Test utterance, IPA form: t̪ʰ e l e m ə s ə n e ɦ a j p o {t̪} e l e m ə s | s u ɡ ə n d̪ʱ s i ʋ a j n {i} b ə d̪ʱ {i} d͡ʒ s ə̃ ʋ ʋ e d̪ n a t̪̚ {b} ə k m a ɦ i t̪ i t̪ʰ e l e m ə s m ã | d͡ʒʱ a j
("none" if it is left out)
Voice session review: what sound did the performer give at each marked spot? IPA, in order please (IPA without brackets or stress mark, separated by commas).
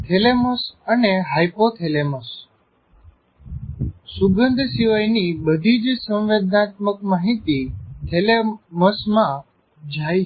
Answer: t̪ʰ, i, i, m